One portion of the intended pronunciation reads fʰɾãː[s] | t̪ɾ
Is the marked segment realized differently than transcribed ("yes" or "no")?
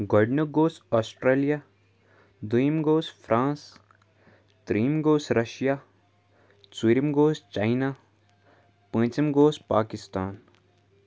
no